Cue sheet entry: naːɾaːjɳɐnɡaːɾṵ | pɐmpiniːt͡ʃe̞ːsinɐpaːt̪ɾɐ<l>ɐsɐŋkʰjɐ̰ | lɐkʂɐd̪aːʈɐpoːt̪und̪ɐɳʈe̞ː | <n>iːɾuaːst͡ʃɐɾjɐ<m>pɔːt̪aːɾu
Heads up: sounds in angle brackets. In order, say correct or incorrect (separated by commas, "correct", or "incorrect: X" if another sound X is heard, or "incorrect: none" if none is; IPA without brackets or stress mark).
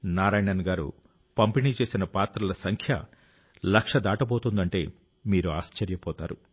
correct, incorrect: m, incorrect: none